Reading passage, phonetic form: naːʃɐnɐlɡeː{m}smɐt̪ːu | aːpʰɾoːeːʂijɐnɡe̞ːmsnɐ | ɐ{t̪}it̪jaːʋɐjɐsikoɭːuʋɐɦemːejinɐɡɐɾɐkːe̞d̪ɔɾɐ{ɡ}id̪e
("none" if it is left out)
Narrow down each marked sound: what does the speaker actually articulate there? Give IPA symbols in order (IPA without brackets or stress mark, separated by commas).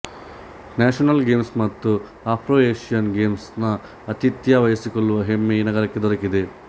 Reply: m, t̪, k